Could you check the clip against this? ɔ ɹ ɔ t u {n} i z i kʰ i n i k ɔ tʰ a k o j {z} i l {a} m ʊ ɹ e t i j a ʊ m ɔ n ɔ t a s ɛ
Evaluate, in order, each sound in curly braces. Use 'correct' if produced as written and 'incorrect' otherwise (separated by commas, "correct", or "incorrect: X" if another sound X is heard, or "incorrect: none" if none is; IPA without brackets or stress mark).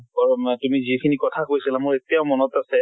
incorrect: m, incorrect: s, correct